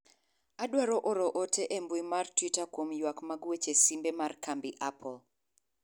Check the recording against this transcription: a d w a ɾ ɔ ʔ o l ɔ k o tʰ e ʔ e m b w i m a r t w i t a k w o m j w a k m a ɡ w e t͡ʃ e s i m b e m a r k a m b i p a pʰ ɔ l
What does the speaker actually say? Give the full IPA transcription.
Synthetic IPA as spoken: a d w a ɾ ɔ ʔ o ɾ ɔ ʔ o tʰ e ʔ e m b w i m a r t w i t a k w o m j w a k m a ɡ w e t͡ʃ e s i m b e m a r k a m b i ʔ a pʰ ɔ l